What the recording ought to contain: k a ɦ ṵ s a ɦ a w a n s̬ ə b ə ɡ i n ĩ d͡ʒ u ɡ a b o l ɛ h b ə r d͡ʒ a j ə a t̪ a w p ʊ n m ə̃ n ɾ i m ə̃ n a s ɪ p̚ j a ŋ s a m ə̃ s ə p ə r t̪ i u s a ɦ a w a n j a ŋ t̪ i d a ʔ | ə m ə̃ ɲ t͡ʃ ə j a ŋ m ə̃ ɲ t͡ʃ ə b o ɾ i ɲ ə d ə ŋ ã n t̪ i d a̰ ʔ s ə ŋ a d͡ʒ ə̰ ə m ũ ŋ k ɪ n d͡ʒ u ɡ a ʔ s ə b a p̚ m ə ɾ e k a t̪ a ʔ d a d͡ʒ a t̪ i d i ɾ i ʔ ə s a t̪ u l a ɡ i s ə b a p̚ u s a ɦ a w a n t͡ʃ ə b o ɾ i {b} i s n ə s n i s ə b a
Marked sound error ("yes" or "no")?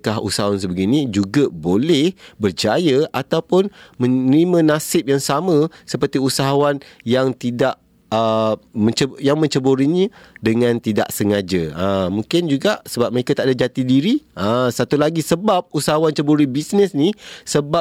no